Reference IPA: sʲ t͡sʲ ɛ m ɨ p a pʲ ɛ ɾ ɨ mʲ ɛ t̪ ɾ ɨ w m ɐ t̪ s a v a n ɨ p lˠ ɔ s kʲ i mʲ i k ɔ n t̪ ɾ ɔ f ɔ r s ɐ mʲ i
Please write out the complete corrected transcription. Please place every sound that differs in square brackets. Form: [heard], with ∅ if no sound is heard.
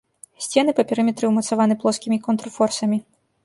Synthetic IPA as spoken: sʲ t͡sʲ ɛ [n] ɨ p [ɐ] pʲ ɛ ɾ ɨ mʲ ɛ t̪ ɾ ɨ w m ɐ t̪ s a v a n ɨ p lˠ ɔ s kʲ i mʲ i k ɔ n t̪ ɾ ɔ f ɔ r s ɐ mʲ i